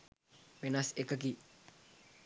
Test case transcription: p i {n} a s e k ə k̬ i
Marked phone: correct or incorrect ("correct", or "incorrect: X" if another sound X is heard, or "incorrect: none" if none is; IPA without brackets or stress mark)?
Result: correct